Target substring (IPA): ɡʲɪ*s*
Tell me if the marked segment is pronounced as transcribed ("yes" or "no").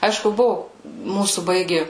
no